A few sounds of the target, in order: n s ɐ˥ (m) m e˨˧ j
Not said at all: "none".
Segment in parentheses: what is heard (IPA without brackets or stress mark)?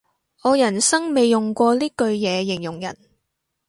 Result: ŋ